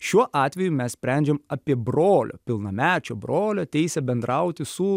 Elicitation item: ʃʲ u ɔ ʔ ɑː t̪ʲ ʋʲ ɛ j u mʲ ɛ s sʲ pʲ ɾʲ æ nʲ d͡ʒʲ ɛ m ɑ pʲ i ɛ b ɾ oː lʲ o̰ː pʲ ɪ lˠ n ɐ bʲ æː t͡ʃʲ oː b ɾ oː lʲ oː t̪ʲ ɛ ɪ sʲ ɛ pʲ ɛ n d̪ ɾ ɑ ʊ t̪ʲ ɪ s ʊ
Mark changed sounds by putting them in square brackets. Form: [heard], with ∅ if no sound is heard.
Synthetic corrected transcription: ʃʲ u ɔ ʔ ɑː t̪ʲ ʋʲ ɛ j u mʲ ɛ s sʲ pʲ ɾʲ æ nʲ d͡ʒʲ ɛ m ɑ pʲ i ɛ b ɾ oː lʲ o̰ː pʲ ɪ lˠ n ɐ [mʲ] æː t͡ʃʲ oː b ɾ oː lʲ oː t̪ʲ ɛ ɪ sʲ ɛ [bʲ] ɛ n d̪ ɾ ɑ ʊ t̪ʲ ɪ s ʊ